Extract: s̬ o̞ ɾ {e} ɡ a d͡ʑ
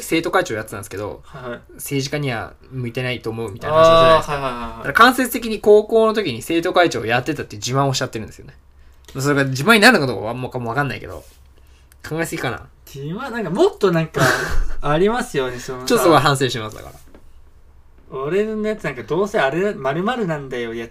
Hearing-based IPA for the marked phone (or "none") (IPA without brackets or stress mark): e